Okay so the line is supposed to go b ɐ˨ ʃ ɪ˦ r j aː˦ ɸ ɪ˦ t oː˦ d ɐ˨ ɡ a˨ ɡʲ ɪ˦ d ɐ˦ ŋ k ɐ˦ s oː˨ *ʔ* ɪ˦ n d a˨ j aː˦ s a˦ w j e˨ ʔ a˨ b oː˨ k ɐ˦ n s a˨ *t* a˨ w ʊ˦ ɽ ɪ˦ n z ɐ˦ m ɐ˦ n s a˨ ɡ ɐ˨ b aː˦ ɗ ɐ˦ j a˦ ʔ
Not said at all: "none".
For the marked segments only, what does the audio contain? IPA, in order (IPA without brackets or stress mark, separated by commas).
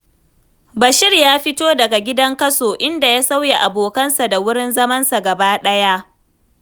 ʔ, d